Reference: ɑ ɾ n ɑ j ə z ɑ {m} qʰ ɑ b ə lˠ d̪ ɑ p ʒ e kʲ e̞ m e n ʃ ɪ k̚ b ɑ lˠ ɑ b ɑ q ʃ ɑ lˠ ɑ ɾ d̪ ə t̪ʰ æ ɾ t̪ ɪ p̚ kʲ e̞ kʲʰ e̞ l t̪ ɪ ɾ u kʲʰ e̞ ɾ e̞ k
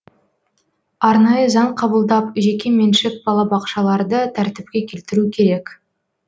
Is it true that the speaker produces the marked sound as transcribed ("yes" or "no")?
no